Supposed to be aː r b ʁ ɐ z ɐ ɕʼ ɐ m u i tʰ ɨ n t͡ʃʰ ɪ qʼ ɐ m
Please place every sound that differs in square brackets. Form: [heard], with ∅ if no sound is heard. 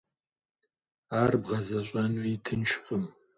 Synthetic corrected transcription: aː r b ʁ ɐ z ɐ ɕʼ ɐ [n] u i tʰ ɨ n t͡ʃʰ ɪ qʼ [ə] m